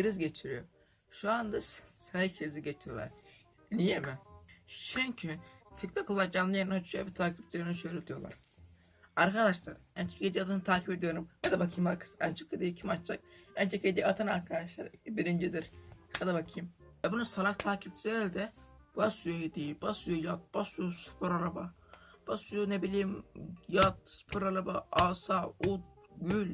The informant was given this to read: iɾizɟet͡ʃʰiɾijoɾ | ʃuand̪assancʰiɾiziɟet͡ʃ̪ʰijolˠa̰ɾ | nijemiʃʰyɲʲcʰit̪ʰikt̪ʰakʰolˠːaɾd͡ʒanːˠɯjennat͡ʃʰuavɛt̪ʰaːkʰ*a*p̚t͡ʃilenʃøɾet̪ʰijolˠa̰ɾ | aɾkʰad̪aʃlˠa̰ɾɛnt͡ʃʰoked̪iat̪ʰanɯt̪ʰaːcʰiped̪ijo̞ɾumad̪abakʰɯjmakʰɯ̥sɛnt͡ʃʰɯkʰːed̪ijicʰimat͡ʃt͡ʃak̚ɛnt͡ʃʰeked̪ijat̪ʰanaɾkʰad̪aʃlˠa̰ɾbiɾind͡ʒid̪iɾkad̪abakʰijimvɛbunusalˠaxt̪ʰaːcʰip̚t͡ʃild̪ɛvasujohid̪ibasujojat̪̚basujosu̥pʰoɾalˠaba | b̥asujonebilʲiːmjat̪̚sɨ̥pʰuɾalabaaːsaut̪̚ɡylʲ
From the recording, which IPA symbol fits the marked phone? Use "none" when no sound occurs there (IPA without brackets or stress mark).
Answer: i